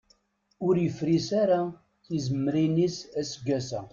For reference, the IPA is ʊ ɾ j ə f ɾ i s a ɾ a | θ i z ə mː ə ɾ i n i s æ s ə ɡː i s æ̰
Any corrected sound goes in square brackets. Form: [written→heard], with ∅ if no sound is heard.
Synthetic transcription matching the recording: ʊ ɾ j ə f ɾ i s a ɾ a | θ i z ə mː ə ɾ i n i s æ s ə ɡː [i→æ] s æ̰